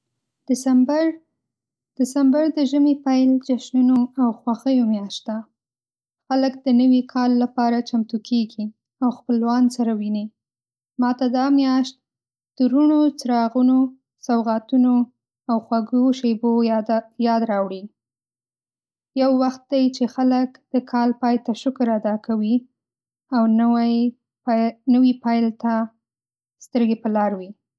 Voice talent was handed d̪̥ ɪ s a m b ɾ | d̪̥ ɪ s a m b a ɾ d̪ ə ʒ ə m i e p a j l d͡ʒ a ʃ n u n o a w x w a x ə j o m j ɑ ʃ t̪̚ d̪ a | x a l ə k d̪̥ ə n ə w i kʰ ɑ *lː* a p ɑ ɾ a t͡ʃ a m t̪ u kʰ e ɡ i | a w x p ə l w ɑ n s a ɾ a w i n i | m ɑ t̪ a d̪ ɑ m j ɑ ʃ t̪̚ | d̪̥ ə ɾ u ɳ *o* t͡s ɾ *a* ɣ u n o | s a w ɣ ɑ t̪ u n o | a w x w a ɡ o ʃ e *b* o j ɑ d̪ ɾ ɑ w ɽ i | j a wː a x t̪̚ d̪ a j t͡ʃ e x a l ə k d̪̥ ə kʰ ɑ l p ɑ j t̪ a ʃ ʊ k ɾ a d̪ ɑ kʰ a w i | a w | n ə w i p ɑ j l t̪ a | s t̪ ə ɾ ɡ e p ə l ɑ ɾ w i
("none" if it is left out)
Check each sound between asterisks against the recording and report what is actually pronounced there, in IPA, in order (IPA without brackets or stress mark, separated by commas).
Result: lː, o, ɑ, b